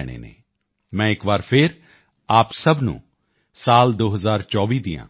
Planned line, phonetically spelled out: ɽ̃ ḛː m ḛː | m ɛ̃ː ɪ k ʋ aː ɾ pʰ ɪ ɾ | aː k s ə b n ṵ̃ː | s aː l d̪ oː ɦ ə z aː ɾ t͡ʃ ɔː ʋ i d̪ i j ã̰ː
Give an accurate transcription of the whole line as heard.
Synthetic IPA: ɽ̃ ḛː n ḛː | m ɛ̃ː ɪ k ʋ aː ɾ pʰ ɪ ɾ | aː p s ə b n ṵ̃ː | s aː l d̪ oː ɦ ə z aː ɾ t͡ʃ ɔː ʋ iː d̪ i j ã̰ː